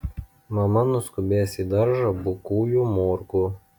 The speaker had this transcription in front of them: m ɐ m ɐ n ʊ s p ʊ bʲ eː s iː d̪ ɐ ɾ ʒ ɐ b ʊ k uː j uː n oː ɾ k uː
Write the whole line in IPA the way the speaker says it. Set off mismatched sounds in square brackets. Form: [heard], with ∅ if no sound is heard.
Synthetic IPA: m ɐ m ɐ n ʊ s [k] ʊ bʲ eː s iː d̪ ɐ ɾ ʒ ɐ b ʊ k uː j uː [m] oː ɾ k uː